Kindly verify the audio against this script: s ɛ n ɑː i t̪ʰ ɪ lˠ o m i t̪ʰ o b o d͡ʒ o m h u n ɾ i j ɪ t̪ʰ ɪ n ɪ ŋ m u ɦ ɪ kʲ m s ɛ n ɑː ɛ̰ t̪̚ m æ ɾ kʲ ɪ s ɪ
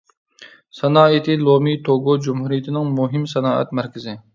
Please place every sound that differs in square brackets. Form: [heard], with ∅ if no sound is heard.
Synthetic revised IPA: s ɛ n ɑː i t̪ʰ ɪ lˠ o m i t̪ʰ o [ɡ] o d͡ʒ [u] m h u [∅] ɾ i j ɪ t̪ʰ ɪ n ɪ ŋ m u ɦ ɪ [∅] m s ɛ n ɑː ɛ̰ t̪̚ m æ ɾ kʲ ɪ [z] ɪ